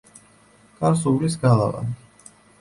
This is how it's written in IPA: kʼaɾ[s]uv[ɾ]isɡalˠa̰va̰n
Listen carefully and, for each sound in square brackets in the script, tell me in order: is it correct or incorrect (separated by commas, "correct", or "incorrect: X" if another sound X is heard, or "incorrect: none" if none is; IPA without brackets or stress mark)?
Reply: correct, incorrect: l